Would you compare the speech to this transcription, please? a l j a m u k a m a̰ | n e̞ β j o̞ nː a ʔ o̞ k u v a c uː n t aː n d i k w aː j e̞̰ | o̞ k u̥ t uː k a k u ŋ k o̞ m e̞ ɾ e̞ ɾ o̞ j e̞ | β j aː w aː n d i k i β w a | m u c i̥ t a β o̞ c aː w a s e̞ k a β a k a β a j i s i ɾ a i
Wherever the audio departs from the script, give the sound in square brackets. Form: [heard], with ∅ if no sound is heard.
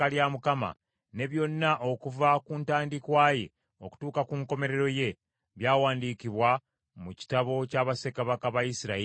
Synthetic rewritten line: a l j a m u k a m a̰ | n e̞ β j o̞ nː a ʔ o̞ k u v a [k] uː n t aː n d i k w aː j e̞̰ | o̞ k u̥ t uː k a k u ŋ k o̞ m e̞ ɾ e̞ ɾ o̞ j e̞ | β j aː w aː n d i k i β w a | m u c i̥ t a β o̞ c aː [β] a s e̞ k a β a k a β a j i s i ɾ a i